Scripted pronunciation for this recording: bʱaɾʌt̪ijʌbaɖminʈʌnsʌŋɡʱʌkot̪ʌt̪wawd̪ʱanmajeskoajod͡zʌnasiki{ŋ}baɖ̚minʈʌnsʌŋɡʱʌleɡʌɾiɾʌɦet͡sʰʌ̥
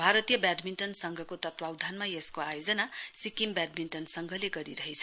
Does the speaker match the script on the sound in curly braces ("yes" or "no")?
no